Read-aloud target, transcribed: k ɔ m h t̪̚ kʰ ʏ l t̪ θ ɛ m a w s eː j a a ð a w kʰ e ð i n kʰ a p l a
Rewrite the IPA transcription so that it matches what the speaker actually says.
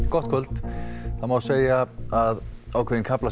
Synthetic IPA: k ɔ h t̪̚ kʰ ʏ l t̪ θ a m a w s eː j a a ð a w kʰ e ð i n kʰ a p l a